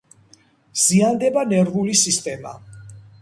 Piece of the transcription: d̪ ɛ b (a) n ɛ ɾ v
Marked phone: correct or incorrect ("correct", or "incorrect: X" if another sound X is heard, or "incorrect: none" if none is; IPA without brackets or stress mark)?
correct